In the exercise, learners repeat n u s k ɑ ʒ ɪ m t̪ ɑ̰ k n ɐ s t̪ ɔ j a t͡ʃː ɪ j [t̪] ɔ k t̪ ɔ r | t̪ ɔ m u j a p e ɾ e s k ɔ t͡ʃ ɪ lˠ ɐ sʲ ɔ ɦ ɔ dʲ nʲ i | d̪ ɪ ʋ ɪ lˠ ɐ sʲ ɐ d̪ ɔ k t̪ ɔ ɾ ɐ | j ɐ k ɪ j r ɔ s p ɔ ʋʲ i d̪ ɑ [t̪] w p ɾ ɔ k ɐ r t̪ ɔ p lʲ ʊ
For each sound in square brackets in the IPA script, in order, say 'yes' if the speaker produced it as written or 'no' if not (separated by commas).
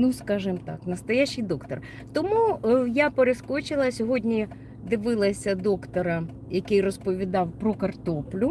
no, no